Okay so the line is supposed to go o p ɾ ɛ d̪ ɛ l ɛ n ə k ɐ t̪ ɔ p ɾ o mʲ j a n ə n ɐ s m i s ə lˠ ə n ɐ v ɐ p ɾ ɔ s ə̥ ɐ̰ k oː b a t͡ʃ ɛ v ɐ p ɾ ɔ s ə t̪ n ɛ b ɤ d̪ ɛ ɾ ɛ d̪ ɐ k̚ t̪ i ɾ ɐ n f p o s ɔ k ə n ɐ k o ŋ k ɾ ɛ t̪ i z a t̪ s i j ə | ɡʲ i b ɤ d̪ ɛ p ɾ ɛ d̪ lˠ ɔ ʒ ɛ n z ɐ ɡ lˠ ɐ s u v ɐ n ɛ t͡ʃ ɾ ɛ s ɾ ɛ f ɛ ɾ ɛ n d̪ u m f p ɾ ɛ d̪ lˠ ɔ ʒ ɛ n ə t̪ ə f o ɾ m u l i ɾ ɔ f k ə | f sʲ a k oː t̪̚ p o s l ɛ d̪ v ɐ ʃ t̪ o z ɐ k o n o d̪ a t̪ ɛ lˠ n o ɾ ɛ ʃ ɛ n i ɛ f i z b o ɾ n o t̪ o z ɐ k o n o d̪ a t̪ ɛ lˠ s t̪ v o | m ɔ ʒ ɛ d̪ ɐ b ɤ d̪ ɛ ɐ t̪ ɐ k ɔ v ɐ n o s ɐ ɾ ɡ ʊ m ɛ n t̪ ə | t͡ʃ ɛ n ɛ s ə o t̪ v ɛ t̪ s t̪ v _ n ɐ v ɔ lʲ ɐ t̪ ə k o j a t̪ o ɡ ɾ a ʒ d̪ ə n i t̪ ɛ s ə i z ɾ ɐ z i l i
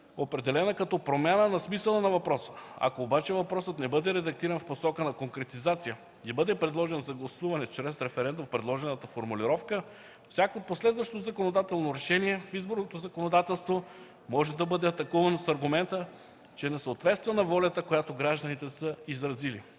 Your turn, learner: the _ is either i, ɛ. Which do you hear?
ɛ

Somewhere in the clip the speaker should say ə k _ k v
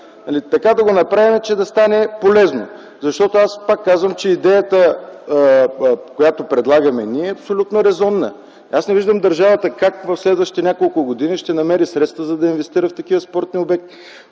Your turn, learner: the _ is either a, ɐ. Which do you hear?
a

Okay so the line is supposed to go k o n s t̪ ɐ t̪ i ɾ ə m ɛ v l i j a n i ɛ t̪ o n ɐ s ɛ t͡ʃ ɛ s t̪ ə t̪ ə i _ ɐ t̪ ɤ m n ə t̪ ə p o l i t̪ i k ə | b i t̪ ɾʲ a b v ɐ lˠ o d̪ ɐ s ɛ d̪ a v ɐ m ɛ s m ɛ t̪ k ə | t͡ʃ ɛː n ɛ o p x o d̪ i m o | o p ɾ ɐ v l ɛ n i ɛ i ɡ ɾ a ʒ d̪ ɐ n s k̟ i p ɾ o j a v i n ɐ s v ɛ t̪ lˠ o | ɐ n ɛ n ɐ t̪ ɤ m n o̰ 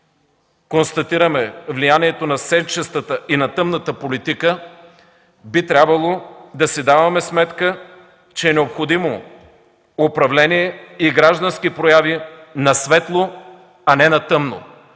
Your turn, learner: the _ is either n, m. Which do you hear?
n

